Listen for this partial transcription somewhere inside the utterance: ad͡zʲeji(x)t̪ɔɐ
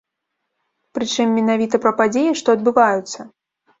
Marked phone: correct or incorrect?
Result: incorrect